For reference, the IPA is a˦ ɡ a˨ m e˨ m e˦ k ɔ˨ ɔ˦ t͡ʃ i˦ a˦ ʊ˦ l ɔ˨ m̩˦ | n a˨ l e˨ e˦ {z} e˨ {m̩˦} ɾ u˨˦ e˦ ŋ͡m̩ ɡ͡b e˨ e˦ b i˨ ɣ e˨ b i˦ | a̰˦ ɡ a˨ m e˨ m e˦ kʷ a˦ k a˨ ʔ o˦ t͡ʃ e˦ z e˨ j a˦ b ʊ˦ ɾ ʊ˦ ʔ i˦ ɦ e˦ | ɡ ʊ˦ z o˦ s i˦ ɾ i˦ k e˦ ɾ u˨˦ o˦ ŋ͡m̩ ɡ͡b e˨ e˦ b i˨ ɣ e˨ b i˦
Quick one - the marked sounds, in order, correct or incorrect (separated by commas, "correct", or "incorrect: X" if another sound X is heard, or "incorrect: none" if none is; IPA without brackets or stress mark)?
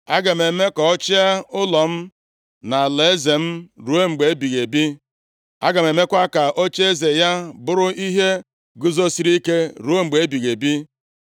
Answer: correct, correct